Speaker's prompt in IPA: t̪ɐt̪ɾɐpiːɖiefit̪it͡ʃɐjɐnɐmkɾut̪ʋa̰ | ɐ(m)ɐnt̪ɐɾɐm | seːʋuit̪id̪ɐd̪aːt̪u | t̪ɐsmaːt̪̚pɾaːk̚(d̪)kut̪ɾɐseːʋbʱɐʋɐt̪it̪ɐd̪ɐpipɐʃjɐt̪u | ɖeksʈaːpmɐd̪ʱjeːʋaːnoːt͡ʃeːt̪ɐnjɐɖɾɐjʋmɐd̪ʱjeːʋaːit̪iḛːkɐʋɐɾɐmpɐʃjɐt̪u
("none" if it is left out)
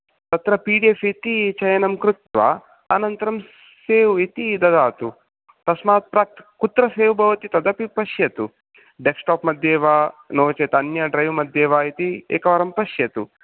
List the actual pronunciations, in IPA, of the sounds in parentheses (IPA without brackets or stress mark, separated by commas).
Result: n, t̪